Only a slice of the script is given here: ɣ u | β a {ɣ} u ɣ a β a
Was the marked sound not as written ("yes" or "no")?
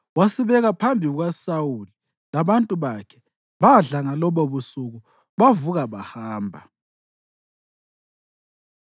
yes